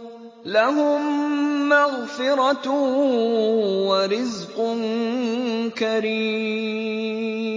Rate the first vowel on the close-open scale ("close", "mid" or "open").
open